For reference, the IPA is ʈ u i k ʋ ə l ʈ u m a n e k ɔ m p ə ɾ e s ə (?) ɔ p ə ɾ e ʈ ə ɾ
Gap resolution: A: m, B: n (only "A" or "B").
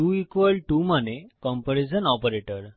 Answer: B